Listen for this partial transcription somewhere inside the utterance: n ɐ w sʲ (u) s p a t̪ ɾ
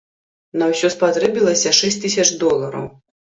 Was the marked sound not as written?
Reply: yes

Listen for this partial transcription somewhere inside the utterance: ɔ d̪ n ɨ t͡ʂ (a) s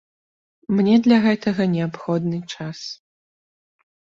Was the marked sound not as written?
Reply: no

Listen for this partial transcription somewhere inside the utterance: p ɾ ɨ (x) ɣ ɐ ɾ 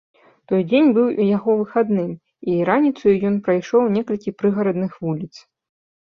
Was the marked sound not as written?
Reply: yes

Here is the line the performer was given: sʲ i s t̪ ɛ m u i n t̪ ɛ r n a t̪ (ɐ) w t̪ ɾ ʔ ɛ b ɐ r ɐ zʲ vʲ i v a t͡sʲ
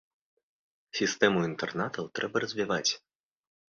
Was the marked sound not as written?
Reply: no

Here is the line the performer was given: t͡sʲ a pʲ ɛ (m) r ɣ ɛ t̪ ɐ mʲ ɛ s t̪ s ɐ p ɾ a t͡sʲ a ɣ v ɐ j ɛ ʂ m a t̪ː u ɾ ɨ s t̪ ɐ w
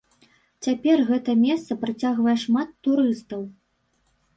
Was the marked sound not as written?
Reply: yes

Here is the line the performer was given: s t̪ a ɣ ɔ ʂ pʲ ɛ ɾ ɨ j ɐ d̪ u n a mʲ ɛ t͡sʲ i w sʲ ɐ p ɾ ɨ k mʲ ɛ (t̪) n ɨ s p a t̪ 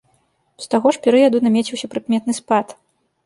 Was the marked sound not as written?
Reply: no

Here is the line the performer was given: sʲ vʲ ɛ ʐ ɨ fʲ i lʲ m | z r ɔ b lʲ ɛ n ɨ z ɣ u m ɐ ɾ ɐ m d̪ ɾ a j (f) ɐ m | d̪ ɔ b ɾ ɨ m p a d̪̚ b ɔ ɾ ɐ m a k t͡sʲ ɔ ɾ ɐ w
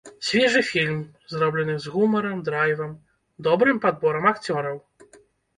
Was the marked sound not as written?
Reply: yes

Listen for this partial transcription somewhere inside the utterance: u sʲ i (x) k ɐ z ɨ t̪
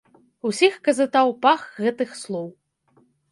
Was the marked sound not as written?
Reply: no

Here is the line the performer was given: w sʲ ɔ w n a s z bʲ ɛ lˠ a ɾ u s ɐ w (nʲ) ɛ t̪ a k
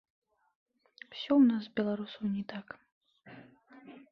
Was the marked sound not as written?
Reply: no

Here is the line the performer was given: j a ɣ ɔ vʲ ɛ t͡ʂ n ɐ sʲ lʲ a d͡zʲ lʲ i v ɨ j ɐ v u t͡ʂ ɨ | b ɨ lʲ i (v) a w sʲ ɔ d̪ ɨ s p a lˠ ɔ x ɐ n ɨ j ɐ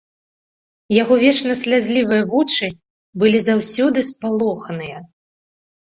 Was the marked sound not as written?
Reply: yes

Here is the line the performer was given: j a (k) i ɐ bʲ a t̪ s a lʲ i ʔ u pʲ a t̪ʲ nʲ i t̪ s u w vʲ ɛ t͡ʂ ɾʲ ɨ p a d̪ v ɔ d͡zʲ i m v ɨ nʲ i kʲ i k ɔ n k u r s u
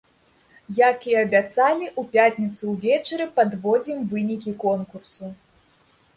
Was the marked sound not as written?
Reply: no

